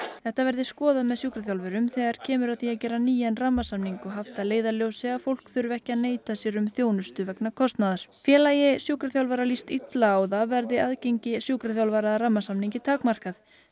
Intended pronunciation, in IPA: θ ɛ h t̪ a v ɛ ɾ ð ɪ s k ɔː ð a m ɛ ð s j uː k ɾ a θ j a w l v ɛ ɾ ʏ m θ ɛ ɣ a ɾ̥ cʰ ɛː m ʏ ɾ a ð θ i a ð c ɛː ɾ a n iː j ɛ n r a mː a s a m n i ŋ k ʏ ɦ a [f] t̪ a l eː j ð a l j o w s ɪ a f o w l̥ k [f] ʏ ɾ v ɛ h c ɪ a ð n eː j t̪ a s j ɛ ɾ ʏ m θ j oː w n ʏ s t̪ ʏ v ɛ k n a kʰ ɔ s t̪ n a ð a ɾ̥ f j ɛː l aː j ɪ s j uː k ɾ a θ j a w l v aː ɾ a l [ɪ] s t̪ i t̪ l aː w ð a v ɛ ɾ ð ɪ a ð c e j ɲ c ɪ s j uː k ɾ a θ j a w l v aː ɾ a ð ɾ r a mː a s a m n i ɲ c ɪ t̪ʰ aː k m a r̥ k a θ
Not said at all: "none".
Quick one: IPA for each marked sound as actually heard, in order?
f, θ, i

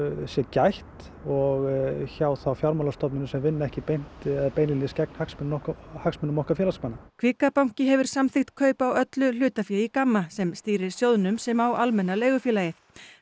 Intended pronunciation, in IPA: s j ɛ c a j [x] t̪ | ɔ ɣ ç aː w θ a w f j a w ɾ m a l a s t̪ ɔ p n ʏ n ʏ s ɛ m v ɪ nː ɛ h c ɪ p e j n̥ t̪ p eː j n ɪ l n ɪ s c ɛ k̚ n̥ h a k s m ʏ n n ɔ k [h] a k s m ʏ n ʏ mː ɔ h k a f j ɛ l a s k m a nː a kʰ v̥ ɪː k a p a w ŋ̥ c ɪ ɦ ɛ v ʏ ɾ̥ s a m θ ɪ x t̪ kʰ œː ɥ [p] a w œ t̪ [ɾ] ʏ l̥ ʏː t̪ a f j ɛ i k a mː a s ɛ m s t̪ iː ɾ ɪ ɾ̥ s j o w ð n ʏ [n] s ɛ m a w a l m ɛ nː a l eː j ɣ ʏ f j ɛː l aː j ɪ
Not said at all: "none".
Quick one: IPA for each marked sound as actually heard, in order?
h, h, p, l, m

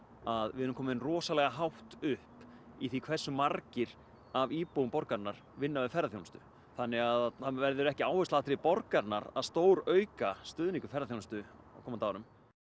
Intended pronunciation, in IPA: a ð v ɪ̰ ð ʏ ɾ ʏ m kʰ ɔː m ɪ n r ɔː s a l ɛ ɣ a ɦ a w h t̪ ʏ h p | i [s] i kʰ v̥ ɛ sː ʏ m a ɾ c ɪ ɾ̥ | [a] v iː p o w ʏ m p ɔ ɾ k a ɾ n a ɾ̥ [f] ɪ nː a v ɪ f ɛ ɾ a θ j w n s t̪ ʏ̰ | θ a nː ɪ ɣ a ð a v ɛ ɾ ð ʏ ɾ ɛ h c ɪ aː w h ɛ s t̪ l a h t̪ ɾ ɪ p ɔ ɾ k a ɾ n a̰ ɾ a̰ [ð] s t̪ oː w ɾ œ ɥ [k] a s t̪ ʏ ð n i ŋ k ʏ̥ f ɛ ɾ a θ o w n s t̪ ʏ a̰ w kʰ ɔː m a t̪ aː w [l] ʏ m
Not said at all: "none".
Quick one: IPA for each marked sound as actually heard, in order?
θ, a, v, ð, k, ɾ

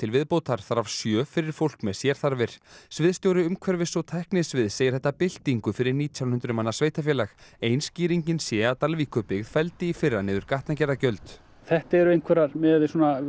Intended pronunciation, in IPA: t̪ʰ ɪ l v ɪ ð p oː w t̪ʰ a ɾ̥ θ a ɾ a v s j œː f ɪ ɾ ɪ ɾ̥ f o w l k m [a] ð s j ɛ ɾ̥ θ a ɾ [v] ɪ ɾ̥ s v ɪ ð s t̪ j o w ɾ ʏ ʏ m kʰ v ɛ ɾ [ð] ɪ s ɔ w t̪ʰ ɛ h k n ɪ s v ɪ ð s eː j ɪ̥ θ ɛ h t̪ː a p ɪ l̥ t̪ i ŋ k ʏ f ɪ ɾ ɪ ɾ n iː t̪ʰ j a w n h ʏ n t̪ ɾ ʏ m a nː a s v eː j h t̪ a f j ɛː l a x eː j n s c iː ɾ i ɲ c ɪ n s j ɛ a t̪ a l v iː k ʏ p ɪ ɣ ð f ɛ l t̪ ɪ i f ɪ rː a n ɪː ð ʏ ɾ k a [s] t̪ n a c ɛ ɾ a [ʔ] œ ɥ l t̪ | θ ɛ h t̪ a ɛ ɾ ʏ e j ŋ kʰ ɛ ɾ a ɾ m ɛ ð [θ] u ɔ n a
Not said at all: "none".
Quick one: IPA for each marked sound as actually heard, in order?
ɛ, v, v, h, c, s

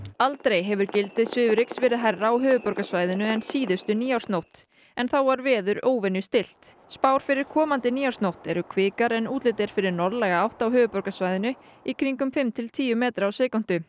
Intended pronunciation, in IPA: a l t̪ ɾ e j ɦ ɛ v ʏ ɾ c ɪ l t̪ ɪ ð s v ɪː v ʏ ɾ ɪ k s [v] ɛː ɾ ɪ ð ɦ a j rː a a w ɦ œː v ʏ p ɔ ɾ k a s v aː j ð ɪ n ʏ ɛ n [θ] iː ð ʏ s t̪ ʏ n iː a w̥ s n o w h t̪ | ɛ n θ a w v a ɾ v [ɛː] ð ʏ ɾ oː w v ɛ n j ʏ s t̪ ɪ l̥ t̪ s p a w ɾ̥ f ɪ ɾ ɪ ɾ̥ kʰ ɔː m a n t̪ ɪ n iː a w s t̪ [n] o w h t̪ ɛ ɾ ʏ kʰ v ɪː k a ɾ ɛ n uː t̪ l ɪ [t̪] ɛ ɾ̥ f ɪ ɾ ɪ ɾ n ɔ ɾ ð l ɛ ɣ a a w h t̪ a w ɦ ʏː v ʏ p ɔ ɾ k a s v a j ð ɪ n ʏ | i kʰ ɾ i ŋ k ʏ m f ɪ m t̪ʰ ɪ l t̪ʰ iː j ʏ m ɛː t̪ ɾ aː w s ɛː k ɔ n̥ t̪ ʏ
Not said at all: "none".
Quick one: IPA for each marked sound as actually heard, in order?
v, s, ɛː, n, t̪

